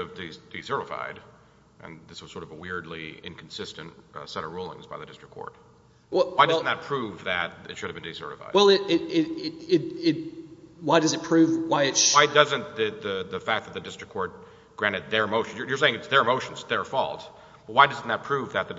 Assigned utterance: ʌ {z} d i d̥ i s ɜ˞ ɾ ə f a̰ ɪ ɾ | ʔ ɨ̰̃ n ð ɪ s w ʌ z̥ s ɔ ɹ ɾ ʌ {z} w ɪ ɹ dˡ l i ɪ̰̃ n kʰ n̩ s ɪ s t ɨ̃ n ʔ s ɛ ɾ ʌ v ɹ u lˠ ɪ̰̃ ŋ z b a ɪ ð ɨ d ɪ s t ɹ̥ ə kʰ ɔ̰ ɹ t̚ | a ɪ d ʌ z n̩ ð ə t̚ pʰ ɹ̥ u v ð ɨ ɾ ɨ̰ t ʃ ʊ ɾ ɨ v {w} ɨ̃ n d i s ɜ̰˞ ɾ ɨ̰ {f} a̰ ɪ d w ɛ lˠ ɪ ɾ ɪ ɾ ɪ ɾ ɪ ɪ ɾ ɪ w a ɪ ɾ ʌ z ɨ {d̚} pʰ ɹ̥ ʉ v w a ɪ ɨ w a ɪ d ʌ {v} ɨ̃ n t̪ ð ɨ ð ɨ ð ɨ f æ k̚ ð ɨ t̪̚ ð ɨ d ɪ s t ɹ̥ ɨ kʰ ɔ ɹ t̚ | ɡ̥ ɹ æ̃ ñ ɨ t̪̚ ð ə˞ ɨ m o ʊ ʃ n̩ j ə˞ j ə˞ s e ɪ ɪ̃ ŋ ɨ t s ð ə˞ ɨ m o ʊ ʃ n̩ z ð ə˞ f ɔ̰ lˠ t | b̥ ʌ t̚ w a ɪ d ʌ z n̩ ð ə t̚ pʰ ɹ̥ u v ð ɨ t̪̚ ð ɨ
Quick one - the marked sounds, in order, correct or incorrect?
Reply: incorrect, incorrect, incorrect, correct, incorrect, incorrect

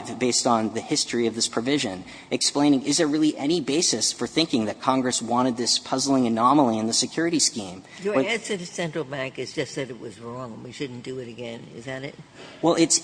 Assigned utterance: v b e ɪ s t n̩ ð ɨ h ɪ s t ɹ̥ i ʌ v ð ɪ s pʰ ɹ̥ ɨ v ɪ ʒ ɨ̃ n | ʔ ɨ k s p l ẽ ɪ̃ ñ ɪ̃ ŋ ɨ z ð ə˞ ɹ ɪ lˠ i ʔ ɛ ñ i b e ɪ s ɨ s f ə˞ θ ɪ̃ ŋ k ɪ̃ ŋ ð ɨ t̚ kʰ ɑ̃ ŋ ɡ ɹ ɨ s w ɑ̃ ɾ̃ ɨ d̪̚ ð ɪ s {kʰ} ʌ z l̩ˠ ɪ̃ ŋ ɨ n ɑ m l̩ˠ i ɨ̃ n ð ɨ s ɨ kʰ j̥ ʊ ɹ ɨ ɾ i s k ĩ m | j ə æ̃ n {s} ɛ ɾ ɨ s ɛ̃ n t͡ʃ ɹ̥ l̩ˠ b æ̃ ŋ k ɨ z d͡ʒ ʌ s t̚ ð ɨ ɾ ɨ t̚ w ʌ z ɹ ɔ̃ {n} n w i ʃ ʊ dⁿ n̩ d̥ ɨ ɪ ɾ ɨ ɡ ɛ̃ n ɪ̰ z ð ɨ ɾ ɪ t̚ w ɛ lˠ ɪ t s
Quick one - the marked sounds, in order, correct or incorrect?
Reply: incorrect, correct, incorrect

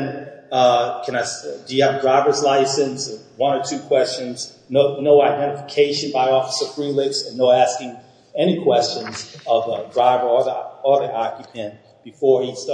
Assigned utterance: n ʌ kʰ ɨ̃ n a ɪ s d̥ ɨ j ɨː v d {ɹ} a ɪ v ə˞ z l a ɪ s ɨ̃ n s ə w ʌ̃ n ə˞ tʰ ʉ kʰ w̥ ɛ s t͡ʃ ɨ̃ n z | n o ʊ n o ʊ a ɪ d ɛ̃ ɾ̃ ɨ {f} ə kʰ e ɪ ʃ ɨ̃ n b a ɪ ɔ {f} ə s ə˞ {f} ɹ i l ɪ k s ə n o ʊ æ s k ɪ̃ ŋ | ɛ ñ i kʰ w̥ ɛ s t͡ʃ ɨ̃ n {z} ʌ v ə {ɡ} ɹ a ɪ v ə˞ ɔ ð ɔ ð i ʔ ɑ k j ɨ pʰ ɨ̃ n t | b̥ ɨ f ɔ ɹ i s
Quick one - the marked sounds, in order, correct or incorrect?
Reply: correct, correct, correct, correct, correct, incorrect

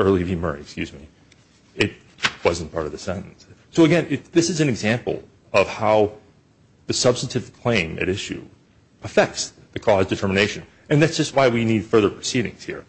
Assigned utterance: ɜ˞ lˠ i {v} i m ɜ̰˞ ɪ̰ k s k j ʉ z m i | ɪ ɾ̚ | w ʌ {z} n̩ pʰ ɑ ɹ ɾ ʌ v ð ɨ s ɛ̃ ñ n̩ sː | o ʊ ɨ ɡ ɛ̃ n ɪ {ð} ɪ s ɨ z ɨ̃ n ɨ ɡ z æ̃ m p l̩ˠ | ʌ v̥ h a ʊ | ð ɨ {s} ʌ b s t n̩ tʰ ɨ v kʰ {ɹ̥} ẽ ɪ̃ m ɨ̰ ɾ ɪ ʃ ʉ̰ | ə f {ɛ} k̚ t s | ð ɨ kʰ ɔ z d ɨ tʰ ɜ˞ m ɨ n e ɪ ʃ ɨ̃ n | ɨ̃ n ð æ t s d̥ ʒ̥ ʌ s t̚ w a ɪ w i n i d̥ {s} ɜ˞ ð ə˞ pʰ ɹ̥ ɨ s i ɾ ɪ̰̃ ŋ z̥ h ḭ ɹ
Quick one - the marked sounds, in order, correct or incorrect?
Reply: correct, correct, correct, correct, incorrect, correct, incorrect

